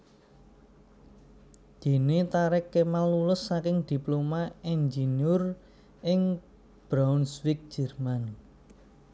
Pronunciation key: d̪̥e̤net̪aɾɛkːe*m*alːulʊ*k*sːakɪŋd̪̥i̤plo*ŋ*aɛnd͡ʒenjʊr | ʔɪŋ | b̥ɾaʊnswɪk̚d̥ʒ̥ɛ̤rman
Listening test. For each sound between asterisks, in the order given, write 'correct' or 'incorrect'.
correct, incorrect: none, incorrect: m

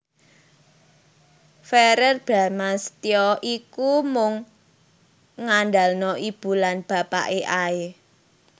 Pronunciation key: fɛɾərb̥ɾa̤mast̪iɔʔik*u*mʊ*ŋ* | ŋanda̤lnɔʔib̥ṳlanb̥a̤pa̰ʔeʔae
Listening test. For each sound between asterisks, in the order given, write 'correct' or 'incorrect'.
correct, correct

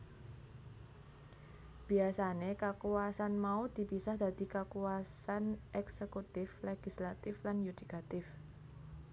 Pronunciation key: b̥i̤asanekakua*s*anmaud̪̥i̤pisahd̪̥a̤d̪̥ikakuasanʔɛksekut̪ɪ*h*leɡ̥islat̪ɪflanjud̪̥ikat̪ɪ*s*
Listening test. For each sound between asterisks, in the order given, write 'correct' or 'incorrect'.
correct, incorrect: f, incorrect: f

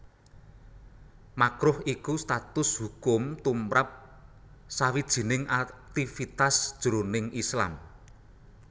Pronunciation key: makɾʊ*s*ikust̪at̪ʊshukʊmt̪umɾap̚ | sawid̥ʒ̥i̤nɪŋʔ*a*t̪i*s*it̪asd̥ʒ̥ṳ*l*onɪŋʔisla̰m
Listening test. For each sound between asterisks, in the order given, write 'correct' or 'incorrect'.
incorrect: h, correct, incorrect: f, incorrect: ɾ

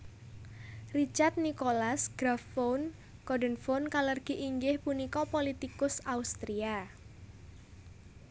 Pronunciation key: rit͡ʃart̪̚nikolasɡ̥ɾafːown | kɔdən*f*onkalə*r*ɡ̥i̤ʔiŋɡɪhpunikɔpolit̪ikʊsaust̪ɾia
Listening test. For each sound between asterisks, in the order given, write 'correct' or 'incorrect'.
correct, correct

